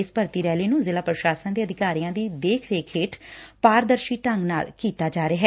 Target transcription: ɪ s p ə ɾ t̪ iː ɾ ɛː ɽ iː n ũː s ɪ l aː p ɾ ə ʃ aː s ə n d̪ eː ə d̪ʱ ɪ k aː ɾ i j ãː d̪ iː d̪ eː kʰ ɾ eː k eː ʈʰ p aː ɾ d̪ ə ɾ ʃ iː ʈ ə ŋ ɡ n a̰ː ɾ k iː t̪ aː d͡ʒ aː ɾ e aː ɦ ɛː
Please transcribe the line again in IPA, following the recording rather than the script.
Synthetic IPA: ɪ s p ə ɾ t̪ iː ɾ ɛː l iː n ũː z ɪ l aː p ɾ ə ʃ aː s ə n d̪ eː ə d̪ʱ ɪ k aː ɾ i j ãː d̪ iː d̪ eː kʰ ɾ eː kʰ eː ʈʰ p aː ɾ d̪ ə ɾ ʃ iː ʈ ə ŋ ɡ n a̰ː l k iː t̪ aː d͡ʒ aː ɾ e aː ɦ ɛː

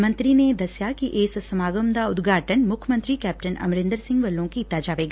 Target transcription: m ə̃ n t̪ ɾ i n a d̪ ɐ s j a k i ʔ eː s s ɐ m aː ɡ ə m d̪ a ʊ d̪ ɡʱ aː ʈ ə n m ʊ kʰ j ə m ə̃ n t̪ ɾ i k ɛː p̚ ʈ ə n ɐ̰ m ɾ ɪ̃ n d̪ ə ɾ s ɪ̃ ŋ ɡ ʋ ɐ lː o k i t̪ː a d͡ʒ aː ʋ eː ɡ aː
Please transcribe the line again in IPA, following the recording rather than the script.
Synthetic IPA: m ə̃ n t̪ ɾ i n e d̪ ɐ s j a k i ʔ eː s s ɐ m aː ɡ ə m d̪ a ʊ d̪ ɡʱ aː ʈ ə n m ʊ kʰ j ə m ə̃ n t̪ ɾ i k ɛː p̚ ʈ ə n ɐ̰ m ɾ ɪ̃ n d̪ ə ɾ s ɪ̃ ŋ ɡ ʋ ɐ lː õ k i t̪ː a d͡ʒ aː ʋ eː ɡ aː

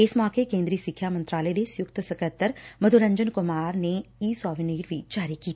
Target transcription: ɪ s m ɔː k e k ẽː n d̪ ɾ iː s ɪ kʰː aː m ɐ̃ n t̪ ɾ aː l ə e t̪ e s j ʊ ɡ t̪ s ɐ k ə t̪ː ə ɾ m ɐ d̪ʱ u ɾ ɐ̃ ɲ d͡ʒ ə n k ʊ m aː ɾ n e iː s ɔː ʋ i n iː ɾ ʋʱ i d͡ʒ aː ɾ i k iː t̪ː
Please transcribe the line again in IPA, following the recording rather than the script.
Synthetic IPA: ɪ s m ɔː k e k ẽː n d̪ ɾ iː s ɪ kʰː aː m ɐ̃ n t̪ ɾ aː l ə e d̪ e s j ʊ k t̪ s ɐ k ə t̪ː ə ɾ m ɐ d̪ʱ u ɾ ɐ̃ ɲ d͡ʒ ə n k ʊ m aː ɾ n e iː s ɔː ʋ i n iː ɾ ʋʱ i d͡ʒ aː ɾ i k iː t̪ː

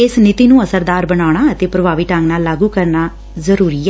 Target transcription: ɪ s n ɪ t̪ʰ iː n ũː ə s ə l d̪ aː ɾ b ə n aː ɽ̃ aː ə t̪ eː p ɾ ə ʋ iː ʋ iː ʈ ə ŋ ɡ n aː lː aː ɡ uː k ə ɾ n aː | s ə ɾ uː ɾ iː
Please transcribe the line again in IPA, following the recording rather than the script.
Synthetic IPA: ɪ s n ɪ t̪ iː n ũː ə s ə ɾ d̪ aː ɾ b ə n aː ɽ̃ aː ə t̪ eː p ɾ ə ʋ aː ʋ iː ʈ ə ŋ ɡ n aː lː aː ɡ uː k ə ɾ n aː | z ə ɾ uː ɾ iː

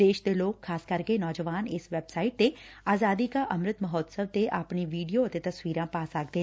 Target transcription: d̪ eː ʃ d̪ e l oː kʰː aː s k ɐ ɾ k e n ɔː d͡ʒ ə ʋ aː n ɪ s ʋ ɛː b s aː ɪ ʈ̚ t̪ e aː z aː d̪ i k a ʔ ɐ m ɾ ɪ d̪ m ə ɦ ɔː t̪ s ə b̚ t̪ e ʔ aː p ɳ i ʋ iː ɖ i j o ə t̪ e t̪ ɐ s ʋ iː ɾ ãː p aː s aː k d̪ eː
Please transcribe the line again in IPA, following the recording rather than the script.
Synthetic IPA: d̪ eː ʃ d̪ e l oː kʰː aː s k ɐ ɾ k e n ɔː d͡ʒ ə ʋ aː n ɪ s ʋ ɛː b s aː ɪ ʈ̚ t̪ e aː z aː d̪ i k a ʔ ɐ m ɾ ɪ t̪ m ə ɦ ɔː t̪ s ə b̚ t̪ e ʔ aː p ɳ i ʋ iː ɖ i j o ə t̪ e t̪ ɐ s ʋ iː ɾ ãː p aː s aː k d̪ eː

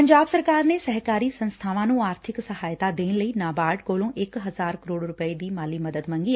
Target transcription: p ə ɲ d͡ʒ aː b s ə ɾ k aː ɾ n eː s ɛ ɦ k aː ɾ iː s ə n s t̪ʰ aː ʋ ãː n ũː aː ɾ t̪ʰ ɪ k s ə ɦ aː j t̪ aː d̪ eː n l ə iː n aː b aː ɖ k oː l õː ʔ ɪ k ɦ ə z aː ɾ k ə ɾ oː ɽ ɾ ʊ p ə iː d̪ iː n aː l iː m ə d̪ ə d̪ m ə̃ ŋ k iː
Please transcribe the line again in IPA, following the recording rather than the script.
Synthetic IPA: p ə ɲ d͡ʒ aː b s ə ɾ k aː ɾ n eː s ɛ ɦ k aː ɾ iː s ə n s t̪ʰ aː ʋ ãː n ũː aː ɾ t̪ʰ ɪ k s ə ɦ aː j t̪ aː d̪ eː n l ə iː n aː b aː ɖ k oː l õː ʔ ɪ k ɦ ə z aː ɾ k ə ɾ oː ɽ ɾ ʊ p ə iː d̪ iː m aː l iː m ə d̪ ə d̪ m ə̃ ŋ ɡ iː

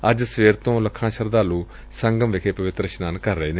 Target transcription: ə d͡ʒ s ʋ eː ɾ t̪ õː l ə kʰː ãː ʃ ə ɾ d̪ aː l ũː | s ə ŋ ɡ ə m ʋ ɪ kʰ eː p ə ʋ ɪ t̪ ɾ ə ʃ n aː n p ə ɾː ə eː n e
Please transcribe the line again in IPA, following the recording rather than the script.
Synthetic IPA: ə d͡ʒ s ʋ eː ɾ t̪ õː l ə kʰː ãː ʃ ə ɾ d̪ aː l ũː | s ə ŋ ɡ ə m ʋ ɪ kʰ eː p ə ʋ ɪ t̪ ɾ ə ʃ n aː n k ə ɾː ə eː n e

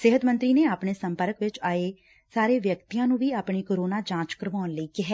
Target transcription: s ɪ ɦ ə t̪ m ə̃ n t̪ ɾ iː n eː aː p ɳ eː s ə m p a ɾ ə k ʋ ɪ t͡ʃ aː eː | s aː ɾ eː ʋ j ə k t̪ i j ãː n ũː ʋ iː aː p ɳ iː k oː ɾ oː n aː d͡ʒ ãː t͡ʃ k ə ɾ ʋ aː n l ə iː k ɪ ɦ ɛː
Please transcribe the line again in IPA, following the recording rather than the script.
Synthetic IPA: s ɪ ɦ ə t̪ m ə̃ n t̪ ɾ iː n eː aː p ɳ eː s ə m p ə ɾ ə k ʋ ɪ t͡ʃ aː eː | s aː ɾ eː ʋ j ə k t̪ i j ãː n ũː ʋ iː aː p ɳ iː k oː ɾ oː n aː d͡ʒ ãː t͡ʃ k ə ɾ ʋ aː n l ə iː k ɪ ɦ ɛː

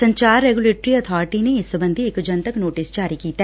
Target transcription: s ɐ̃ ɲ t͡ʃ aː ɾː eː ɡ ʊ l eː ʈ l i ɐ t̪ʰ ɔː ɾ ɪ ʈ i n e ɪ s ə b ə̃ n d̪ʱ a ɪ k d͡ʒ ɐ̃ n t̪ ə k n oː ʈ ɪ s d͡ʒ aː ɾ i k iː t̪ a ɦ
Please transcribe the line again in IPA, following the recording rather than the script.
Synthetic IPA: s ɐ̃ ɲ t͡ʃ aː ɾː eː ɡ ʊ l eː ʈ ɾ i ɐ t̪ʰ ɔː ɾ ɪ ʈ i n e ɪ s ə b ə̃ n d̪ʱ i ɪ k d͡ʒ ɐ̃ n t̪ ə k n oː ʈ ɪ s d͡ʒ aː ɾ i k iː t̪ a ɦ

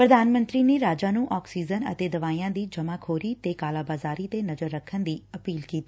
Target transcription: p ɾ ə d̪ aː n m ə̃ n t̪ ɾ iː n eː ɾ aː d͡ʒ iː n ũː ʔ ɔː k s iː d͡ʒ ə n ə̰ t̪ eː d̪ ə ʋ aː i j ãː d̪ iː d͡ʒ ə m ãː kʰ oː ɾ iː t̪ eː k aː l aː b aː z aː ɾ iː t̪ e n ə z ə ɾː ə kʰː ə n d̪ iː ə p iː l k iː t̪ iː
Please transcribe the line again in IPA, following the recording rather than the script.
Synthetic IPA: p ɾ ə d̪ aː n m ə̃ n t̪ ɾ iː n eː ɾ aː d͡ʒ aː n ũː ʔ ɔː k s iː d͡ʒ ə n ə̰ t̪ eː d̪ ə ʋ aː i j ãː d̪ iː d͡ʒ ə m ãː kʰ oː ɾ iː t̪ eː k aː l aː b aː z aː ɾ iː t̪ e n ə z ə ɾː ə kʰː ə n d̪ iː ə p iː l k iː t̪ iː

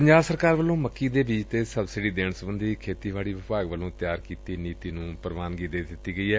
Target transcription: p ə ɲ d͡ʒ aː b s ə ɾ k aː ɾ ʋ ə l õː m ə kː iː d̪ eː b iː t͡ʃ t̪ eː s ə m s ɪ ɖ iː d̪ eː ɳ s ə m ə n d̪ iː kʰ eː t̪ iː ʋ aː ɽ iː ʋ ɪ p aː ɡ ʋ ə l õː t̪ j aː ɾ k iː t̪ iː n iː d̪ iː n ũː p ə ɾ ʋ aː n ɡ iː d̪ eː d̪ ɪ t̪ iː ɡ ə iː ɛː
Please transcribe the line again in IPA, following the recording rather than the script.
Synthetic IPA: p ə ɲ d͡ʒ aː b s ə ɾ k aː ɾ ʋ ə l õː m ə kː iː d̪ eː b iː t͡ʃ t̪ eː s ə b s ɪ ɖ iː d̪ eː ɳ s ə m ə n d̪ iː kʰ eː t̪ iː ʋ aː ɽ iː ʋ ɪ p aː ɡ ʋ ə l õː t̪ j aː ɾ k iː t̪ iː n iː t̪ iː n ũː p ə ɾ ʋ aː n ɡ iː d̪ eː d̪ ɪ t̪ iː ɡ ə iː ɛː

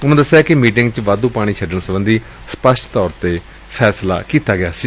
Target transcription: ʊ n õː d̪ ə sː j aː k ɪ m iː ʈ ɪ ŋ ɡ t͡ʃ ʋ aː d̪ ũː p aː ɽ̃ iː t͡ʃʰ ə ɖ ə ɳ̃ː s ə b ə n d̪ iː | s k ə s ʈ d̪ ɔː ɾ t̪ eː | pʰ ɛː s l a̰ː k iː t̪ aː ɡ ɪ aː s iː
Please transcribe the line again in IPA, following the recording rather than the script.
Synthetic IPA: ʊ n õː d̪ ə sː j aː k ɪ m iː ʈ ɪ ŋ ɡ t͡ʃ ʋ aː d̪ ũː p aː ɽ̃ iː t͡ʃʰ ə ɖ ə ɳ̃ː s ə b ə n d̪ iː | s p ə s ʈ t̪ ɔː ɾ t̪ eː | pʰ ɛː s l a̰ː k iː t̪ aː ɡ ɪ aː s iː

